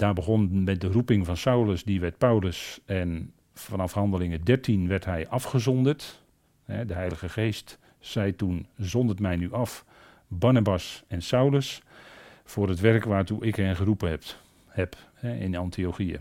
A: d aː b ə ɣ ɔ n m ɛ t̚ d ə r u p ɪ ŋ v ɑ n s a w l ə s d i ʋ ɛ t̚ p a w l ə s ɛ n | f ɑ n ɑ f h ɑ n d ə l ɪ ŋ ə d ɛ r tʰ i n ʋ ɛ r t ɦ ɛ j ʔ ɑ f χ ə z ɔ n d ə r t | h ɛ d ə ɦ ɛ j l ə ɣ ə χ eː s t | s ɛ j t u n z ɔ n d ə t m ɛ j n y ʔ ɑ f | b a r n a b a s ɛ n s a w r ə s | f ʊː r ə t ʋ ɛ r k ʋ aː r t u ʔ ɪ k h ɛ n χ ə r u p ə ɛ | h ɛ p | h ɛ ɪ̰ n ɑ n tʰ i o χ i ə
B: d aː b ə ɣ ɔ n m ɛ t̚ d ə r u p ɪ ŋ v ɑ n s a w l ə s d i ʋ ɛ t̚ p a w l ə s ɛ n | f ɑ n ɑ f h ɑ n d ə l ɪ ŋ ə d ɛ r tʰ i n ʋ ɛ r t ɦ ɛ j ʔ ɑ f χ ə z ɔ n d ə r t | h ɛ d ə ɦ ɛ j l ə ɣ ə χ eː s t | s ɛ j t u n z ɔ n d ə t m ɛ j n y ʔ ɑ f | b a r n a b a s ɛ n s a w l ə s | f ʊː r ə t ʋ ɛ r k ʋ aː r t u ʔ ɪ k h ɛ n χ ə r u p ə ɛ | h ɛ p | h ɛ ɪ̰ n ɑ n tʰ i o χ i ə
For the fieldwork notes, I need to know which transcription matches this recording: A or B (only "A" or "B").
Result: B